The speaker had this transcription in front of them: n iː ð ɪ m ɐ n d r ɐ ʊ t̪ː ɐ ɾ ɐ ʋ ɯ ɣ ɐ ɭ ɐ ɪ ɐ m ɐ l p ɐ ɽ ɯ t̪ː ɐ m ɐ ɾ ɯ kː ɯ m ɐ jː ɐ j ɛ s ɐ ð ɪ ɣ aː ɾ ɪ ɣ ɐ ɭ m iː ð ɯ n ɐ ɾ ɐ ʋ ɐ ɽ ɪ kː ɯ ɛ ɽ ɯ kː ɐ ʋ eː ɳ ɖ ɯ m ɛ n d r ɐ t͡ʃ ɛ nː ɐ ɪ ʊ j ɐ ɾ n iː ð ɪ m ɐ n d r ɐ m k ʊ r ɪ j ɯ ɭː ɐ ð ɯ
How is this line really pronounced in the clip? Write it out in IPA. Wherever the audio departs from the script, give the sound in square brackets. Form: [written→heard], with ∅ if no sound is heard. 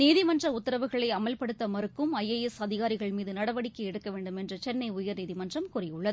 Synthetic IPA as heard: n iː ð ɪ m ɐ n d r ɐ ʊ t̪ː ɐ ɾ ɐ ʋ ɯ ɣ ɐ ɭ ɐ ɪ ɐ m ɐ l p ɐ ɽ ɯ t̪ː ɐ m ɐ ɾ ɯ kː ɯ m ɐ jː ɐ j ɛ s ɐ ð ɪ ɣ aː ɾ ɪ ɣ ɐ ɭ m iː ð ɯ n ɐ [ɾ→ɽ] ɐ ʋ ɐ ɽ ɪ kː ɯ ɛ ɽ ɯ kː ɐ ʋ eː ɳ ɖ ɯ m ɛ n d r ɐ t͡ʃ ɛ nː ɐ ɪ ʊ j ɐ ɾ n iː ð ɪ m ɐ n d r ɐ m k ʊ r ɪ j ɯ ɭː ɐ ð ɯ

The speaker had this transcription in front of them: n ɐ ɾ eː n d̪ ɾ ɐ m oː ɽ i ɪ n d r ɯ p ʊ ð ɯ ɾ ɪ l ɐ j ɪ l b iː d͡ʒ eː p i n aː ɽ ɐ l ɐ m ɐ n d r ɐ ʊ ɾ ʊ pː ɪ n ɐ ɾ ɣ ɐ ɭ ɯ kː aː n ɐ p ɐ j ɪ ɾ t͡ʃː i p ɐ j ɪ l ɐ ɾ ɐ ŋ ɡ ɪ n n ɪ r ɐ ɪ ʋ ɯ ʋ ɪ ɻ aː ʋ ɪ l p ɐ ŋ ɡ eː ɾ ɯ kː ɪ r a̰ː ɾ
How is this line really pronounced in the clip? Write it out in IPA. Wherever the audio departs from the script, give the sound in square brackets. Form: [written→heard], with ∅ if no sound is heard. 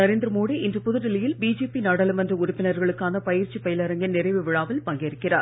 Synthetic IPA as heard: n ɐ ɾ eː n d̪ ɾ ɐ m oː ɽ i ɪ n d r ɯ p ʊ ð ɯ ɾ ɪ l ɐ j ɪ l b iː d͡ʒ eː p i n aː ɽ ɐ l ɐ m ɐ n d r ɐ ʊ ɾ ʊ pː ɪ n ɐ ɾ ɣ ɐ ɭ ɯ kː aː n ɐ p ɐ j ɪ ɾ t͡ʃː i p ɐ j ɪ l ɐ ɾ ɐ ŋ ɡ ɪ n n ɪ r ɐ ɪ ʋ ɯ ʋ ɪ ɻ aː ʋ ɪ l p ɐ ŋ ɡ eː ɾ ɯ kː ɪ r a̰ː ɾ

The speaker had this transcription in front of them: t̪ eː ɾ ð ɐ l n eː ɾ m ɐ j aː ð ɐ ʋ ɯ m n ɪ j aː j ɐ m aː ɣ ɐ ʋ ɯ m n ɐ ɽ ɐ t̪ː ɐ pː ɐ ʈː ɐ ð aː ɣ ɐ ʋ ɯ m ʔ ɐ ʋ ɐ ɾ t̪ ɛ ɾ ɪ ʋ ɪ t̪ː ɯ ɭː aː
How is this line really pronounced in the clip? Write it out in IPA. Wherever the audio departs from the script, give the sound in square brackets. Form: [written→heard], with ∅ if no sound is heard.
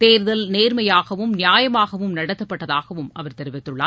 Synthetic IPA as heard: t̪ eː ɾ ð ɐ l n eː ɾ m ɐ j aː [ð→ɣ] ɐ ʋ ɯ m n ɪ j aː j ɐ m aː ɣ ɐ ʋ ɯ m n ɐ ɽ ɐ t̪ː ɐ pː ɐ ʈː ɐ ð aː ɣ ɐ ʋ ɯ m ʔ ɐ ʋ ɐ ɾ t̪ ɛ ɾ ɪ ʋ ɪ t̪ː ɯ ɭː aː

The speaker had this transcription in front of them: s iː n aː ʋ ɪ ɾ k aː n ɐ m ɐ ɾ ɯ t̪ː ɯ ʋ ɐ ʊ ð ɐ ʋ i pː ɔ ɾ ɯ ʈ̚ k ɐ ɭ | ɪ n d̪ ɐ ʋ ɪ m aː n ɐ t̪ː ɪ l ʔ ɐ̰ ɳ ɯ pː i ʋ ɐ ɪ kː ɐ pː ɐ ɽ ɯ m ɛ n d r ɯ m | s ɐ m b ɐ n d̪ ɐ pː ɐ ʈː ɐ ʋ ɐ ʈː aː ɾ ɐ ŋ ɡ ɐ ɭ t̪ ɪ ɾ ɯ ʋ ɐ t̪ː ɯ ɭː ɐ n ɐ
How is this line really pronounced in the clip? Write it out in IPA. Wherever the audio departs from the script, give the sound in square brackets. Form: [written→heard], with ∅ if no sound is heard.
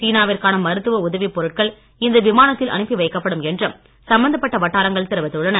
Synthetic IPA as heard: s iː n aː ʋ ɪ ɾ k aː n ɐ m ɐ ɾ ɯ t̪ː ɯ ʋ ɐ ʊ ð ɐ ʋ i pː ɔ ɾ ɯ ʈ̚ k ɐ ɭ | ɪ n d̪ ɐ ʋ ɪ m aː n ɐ t̪ː ɪ l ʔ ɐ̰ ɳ ɯ pː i ʋ ɐ ɪ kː ɐ pː ɐ ɽ ɯ m ɛ n d r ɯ m | s ɐ m b ɐ n d̪ ɐ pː ɐ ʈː ɐ ʋ ɐ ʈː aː ɾ ɐ ŋ ɡ ɐ ɭ t̪ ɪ ɾ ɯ ʋ ɐ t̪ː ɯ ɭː ɐ n ɐ

